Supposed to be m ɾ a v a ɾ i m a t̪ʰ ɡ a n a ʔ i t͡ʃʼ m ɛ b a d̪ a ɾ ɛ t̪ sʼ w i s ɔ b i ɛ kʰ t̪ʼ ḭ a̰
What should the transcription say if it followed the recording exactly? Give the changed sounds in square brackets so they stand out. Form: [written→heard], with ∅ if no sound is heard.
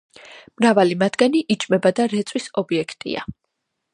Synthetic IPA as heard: m ɾ a v a [ɾ→l] i m a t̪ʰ ɡ a n [a→i] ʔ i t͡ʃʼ m ɛ b a d̪ a ɾ ɛ t̪ sʼ w i s ɔ b i ɛ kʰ t̪ʼ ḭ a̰